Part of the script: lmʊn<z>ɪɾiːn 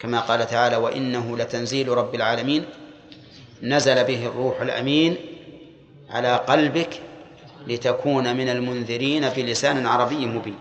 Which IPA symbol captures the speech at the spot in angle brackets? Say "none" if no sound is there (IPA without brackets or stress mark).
ð